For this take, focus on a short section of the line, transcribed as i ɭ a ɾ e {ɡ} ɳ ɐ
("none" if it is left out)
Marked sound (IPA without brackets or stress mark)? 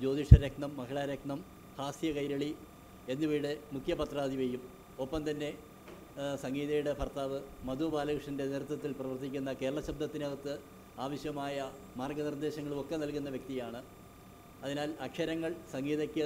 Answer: k